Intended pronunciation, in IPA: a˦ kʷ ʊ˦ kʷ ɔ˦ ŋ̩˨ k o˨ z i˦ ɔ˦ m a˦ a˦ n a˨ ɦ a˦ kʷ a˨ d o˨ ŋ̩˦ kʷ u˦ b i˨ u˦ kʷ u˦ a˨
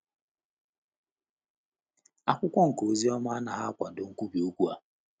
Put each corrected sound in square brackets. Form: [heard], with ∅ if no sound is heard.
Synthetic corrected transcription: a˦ kʷ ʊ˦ kʷ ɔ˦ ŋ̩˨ k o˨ z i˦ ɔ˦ m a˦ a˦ n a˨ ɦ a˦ kʷ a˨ d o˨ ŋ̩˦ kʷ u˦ b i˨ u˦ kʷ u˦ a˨